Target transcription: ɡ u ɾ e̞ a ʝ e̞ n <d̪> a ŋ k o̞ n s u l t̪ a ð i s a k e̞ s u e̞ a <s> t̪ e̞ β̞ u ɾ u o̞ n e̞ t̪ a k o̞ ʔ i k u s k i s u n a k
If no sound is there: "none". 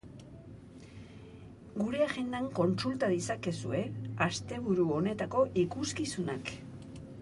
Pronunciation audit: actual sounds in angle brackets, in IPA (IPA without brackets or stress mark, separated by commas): d̪, s